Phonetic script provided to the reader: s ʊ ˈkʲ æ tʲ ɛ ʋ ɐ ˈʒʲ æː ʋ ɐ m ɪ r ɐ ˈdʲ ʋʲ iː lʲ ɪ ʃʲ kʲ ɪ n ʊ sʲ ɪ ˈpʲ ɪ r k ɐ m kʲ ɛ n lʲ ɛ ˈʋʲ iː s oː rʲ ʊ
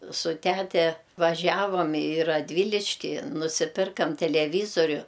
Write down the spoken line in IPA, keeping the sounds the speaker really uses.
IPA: s ʊ ˈtʲ æ tʲ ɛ ʋ ɐ ˈʒʲ æː ʋ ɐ m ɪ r ɐ ˈdʲ ʋʲ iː lʲ ɪ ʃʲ kʲ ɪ n ʊ sʲ ɪ ˈpʲ ɪ r k ɐ m tʲ ɛ lʲ ɛ ˈʋʲ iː z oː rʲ ʊ